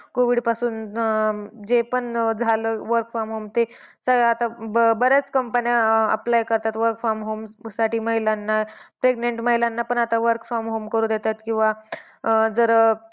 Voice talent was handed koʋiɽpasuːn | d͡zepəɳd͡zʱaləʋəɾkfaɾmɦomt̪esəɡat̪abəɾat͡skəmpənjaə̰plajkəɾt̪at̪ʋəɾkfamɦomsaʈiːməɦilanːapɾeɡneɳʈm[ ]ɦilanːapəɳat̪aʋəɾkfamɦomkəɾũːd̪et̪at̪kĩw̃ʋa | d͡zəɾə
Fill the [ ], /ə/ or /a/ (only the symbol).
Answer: ə